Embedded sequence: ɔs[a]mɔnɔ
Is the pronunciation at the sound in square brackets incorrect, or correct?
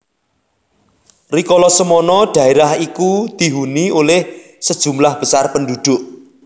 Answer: incorrect